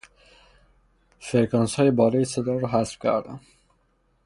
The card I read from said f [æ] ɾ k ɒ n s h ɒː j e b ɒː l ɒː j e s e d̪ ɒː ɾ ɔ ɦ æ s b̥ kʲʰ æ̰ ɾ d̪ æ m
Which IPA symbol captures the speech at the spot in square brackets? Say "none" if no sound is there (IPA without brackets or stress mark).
e